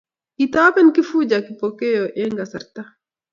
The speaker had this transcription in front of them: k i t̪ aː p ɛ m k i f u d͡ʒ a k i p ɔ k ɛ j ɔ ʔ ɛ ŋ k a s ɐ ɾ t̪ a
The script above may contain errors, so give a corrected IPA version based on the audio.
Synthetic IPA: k i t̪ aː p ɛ n k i f u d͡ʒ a k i p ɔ k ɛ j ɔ ʔ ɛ ŋ ɡ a s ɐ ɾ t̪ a